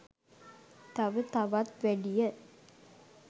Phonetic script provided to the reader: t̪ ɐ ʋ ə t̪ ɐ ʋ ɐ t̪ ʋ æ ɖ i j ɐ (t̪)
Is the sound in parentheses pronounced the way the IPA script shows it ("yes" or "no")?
no